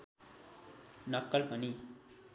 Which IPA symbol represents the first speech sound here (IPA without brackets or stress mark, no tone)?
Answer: n